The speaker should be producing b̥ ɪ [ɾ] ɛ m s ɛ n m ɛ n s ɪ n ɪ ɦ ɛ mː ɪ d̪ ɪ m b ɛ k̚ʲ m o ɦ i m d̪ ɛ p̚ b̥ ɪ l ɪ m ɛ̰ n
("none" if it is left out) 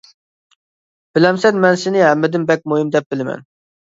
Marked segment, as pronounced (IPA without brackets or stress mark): l